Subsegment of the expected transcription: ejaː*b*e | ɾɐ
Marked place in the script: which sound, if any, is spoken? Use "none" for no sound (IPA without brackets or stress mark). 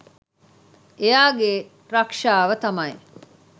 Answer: ɡ